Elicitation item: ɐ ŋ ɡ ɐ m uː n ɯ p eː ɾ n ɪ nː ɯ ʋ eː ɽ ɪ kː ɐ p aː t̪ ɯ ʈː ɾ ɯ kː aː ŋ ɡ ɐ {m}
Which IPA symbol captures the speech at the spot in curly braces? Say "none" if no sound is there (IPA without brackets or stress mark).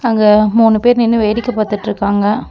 none